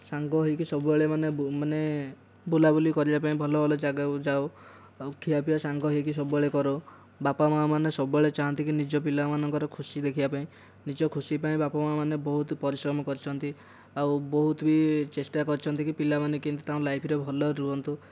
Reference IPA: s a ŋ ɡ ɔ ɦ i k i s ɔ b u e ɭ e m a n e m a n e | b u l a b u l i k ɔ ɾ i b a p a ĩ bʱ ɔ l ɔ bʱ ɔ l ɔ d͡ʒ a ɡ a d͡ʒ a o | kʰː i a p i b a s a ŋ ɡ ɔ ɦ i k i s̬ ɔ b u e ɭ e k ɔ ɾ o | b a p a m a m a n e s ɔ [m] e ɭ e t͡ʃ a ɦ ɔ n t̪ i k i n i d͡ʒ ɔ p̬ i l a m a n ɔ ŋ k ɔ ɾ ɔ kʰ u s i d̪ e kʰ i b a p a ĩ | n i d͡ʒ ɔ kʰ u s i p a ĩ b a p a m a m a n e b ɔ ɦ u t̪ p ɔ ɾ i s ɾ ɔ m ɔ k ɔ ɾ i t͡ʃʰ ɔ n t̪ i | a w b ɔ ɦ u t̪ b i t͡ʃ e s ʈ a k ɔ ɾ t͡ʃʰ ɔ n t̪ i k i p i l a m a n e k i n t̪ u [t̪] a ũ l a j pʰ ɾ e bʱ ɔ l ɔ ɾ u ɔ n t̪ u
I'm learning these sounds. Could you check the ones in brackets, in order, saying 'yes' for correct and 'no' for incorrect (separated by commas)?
no, yes